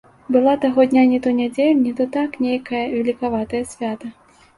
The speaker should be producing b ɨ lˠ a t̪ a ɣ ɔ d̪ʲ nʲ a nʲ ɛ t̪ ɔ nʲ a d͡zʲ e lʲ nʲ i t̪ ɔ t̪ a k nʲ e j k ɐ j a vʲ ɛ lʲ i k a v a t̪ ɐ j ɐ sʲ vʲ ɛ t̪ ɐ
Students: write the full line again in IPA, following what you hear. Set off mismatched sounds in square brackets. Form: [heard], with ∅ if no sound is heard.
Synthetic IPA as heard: b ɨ lˠ a t̪ a ɣ ɔ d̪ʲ nʲ a nʲ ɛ t̪ ɔ nʲ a d͡zʲ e lʲ nʲ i t̪ ɔ t̪ a k nʲ e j k ɐ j [ɐ] vʲ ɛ lʲ i k a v a t̪ ɐ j ɐ sʲ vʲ [a] t̪ ɐ